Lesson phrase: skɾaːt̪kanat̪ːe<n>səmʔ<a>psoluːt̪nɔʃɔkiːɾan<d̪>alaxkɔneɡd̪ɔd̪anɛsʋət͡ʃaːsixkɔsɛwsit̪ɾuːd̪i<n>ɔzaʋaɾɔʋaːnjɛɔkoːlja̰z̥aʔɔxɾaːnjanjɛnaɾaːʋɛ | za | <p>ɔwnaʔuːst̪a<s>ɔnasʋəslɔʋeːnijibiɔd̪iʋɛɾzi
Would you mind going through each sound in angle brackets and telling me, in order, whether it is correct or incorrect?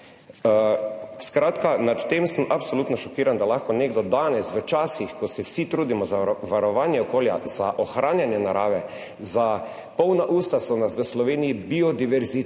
incorrect: m, correct, correct, incorrect: m, correct, correct

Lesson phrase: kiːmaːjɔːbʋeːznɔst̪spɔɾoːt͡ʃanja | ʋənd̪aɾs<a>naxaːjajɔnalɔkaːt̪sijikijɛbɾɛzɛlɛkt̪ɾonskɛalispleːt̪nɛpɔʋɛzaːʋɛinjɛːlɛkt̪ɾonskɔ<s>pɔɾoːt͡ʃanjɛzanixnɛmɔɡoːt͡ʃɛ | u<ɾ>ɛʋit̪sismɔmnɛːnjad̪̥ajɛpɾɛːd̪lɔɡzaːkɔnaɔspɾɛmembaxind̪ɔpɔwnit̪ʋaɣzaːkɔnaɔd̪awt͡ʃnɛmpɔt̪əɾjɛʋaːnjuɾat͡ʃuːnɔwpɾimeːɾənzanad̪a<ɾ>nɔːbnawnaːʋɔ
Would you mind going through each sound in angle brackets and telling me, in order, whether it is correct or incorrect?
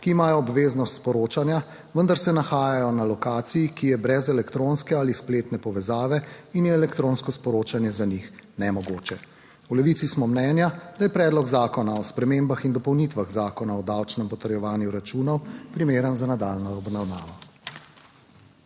incorrect: ɛ, correct, incorrect: l, incorrect: l

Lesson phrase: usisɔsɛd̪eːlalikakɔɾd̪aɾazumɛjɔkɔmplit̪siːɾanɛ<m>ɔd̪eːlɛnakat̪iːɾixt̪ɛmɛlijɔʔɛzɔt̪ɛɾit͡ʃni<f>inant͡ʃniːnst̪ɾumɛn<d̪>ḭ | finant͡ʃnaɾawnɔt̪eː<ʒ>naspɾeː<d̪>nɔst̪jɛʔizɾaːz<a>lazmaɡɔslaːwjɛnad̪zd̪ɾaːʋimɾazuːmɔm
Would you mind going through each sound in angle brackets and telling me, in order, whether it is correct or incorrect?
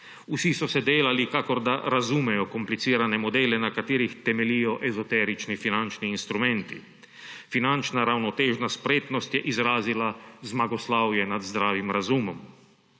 correct, correct, incorrect: t̪, correct, incorrect: t̪, incorrect: i

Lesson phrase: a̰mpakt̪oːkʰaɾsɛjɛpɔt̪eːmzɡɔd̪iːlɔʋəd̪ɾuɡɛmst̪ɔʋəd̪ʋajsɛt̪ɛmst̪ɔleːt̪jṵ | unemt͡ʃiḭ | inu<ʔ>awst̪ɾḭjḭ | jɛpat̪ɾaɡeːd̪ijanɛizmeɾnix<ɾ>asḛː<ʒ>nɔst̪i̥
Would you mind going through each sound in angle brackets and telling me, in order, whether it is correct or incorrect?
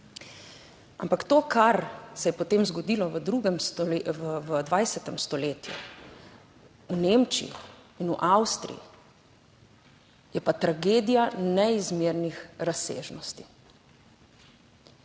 correct, correct, correct

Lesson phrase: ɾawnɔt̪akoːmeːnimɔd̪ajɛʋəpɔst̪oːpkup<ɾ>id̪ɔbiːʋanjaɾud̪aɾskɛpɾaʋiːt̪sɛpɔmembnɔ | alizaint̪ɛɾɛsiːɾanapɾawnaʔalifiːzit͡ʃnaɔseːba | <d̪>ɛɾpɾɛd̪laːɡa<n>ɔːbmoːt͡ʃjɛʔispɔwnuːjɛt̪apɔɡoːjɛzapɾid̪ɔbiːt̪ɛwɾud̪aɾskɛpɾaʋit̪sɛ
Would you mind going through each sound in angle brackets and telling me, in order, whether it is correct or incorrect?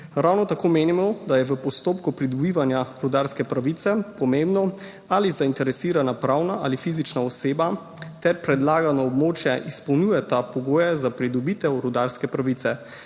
correct, incorrect: t̪, correct

